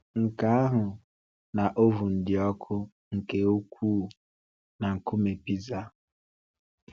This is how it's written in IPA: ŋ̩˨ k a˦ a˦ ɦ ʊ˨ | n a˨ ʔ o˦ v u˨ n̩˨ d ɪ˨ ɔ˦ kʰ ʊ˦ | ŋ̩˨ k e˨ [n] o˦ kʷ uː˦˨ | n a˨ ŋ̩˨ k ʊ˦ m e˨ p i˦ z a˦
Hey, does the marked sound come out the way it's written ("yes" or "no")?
no